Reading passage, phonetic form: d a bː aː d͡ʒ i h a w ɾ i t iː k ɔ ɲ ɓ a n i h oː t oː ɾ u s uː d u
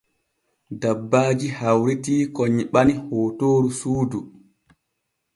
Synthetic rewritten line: d a bː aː d͡ʒ i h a w ɾ i t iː k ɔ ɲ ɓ a n i h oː t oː ɾ u s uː d u